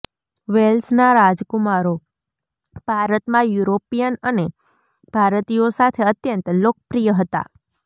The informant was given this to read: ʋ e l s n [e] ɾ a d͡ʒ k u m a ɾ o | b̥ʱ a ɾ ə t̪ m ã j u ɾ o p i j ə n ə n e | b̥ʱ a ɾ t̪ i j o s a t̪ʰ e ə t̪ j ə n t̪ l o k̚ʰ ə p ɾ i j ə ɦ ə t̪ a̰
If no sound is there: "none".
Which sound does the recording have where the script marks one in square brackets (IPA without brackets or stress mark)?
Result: a